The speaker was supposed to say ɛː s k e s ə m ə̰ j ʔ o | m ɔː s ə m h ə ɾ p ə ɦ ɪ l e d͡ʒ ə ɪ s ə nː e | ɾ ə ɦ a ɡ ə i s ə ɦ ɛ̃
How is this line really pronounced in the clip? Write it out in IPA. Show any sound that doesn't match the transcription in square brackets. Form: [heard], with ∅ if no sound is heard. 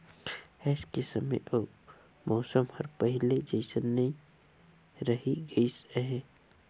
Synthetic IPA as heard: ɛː s k e s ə m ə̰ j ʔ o | m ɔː s ə m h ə ɾ p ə ɦ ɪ l e d͡ʒ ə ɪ s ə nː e | ɾ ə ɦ [i] ɡ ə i s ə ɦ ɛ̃

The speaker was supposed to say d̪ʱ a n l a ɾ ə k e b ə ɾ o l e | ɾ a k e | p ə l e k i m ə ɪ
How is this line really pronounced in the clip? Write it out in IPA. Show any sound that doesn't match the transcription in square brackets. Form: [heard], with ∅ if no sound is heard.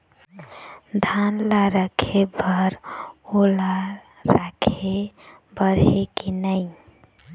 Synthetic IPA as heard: d̪ʱ a n l a ɾ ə [kʰ] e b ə ɾ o l [a] | ɾ a [kʰ] e | [b] ə [ɾ] e k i [n] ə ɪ

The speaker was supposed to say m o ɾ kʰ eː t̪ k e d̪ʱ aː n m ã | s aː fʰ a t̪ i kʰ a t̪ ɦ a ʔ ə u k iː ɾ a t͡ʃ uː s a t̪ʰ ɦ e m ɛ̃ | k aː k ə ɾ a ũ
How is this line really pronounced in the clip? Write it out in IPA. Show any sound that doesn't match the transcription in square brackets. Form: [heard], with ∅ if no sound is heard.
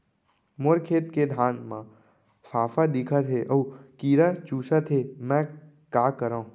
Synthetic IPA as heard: m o ɾ kʰ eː t̪ k e d̪ʱ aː n m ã | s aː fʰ a [d̪] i kʰ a t̪ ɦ [e] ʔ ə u k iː ɾ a t͡ʃ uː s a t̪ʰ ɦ e m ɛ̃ | k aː k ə ɾ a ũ

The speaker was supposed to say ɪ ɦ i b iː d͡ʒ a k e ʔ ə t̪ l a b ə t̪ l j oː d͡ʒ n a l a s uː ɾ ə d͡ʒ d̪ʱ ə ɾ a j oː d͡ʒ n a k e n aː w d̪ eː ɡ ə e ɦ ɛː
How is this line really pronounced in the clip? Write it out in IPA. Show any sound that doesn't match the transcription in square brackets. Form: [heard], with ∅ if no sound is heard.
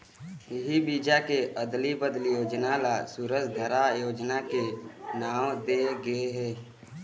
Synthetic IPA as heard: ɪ ɦ i b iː d͡ʒ a k e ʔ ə [d̪] l [i] b ə [d̪] l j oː d͡ʒ n a l a s uː ɾ ə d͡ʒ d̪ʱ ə ɾ a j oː d͡ʒ n a k e n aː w d̪ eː ɡ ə e ɦ ɛː

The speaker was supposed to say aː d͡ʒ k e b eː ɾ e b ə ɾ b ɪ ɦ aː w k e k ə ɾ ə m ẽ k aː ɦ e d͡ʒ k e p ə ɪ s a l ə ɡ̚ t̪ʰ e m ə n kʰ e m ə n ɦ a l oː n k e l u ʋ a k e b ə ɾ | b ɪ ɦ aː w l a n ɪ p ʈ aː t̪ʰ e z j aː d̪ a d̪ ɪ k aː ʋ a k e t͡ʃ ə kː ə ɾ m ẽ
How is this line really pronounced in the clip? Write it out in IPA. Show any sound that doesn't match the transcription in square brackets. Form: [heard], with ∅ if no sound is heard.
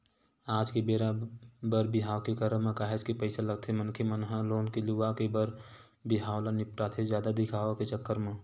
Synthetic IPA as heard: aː d͡ʒ k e b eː ɾ [a] b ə ɾ b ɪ ɦ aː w k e k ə ɾ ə m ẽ k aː ɦ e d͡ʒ k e p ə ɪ s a l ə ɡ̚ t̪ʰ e m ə n kʰ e m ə n ɦ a l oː n k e l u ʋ a k e b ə ɾ | b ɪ ɦ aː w l a n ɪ p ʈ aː t̪ʰ e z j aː d̪ a d̪ ɪ [kʰ] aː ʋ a k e t͡ʃ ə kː ə ɾ m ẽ

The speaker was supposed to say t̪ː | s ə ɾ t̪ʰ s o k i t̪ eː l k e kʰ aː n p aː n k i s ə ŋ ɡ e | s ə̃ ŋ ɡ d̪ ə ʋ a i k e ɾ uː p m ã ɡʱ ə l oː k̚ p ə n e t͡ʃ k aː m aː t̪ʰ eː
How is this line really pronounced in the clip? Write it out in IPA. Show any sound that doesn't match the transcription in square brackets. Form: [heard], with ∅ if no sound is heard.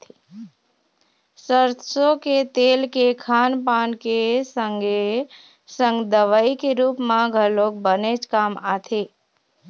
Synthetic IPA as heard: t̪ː | s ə ɾ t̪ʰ s o k [e] t̪ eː l k e kʰ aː n p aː n k [e] s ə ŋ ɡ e | s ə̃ ŋ ɡ d̪ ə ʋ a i k e ɾ uː p m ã ɡʱ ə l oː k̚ [b] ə n e t͡ʃ k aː m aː t̪ʰ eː

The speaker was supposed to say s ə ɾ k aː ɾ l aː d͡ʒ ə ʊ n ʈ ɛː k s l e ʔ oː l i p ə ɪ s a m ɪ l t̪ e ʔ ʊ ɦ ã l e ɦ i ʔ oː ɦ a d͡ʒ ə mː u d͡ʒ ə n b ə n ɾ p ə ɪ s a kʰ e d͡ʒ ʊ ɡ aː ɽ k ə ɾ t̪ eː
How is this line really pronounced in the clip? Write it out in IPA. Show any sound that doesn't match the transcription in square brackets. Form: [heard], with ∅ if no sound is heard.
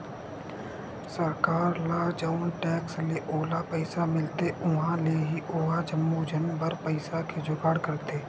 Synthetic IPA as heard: s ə ɾ k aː ɾ l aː d͡ʒ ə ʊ n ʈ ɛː k s l e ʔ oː l [a] p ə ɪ s a m ɪ l t̪ e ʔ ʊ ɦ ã l e ɦ i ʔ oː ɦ a d͡ʒ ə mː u d͡ʒ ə n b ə [∅] ɾ p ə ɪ s a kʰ e d͡ʒ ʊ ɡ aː ɽ k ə ɾ t̪ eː

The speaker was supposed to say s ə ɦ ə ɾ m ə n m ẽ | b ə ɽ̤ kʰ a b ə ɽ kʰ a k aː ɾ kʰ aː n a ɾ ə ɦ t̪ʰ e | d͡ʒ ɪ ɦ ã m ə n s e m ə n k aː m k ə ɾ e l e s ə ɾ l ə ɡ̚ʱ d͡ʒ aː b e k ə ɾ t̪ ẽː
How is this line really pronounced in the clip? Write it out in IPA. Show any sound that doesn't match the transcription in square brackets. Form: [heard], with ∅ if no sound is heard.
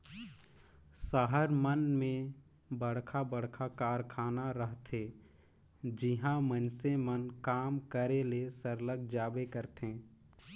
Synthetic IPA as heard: s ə ɦ ə ɾ m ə n m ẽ | b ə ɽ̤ kʰ a b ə ɽ kʰ a k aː ɾ kʰ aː n a ɾ ə ɦ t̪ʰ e | d͡ʒ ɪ ɦ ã m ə n s e m ə n k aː m k ə ɾ e l e s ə ɾ l ə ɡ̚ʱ d͡ʒ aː b e k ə ɾ t̪ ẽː

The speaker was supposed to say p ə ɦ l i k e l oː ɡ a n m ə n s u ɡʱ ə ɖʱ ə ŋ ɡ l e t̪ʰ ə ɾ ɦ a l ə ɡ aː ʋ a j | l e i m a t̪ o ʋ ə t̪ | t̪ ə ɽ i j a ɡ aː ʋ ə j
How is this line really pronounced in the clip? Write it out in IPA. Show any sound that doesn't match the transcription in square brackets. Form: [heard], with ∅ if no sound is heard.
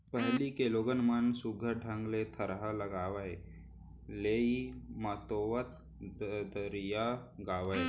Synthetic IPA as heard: p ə ɦ l i k e l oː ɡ [ə] n m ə n s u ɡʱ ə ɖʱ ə ŋ ɡ l e t̪ʰ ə ɾ ɦ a l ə ɡ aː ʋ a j | l e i m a t̪ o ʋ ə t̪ | [d̪] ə [ɾ] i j a ɡ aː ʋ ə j

